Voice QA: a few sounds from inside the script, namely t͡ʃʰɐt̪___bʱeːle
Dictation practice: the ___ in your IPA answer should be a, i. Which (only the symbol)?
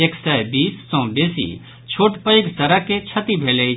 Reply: i